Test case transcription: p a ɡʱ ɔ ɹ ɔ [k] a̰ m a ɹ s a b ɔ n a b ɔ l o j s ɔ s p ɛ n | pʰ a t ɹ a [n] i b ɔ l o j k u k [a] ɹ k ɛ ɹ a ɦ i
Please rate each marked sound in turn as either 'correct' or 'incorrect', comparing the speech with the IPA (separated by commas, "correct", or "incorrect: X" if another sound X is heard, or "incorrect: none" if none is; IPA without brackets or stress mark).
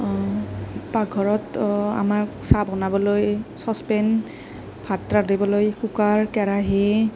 incorrect: t, incorrect: d, correct